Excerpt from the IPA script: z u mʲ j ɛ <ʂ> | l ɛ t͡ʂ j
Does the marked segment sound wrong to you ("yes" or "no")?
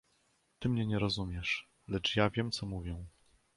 no